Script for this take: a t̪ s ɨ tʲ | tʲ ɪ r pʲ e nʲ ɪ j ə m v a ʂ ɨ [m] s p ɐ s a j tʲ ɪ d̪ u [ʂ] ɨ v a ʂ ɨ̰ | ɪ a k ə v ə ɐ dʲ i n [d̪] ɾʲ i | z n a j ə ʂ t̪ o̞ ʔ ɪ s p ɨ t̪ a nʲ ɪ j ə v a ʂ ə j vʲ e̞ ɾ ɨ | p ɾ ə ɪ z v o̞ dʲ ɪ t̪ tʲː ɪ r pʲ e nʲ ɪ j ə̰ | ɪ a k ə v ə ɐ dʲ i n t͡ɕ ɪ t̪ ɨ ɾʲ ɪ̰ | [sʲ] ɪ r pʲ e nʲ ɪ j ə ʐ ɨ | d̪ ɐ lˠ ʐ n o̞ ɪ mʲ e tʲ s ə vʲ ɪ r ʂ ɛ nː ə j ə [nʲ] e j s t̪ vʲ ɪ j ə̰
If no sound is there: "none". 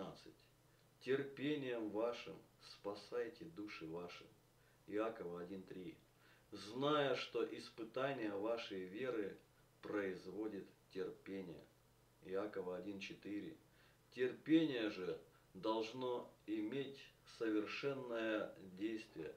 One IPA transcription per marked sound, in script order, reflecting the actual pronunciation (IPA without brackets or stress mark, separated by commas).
m, ʂ, t̪, tʲ, dʲ